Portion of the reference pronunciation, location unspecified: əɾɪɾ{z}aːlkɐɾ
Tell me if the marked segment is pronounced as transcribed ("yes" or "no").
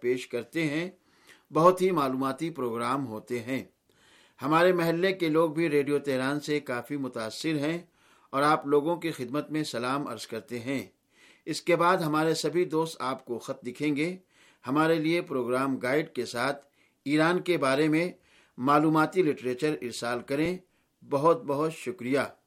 no